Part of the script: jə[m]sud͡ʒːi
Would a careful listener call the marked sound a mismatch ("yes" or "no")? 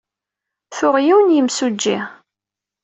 no